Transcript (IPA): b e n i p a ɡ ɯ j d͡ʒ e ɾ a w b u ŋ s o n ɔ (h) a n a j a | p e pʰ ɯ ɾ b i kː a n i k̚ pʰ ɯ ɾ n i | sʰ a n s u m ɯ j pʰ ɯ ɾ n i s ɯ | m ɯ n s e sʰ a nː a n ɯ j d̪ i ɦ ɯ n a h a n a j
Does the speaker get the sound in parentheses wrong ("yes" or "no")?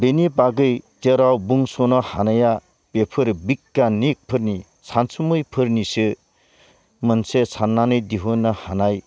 no